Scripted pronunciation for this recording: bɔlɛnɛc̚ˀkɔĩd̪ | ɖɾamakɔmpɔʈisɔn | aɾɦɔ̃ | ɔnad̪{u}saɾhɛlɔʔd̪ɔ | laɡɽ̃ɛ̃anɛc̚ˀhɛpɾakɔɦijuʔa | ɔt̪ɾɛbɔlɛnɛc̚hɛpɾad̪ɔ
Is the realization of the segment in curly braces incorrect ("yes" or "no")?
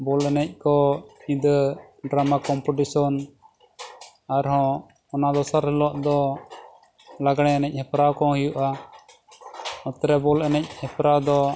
yes